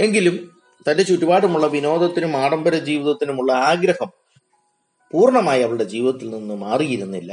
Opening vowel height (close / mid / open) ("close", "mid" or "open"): mid